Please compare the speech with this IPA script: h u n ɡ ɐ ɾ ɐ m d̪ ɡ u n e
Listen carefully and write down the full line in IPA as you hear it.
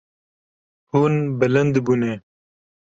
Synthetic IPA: h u n b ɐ l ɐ n d̪ b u n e